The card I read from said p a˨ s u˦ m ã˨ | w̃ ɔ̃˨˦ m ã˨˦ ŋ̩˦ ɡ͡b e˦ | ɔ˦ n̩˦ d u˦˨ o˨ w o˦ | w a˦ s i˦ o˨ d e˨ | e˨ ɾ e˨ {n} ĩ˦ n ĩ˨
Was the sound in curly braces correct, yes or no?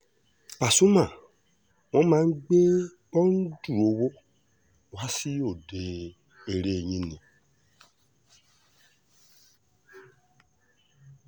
no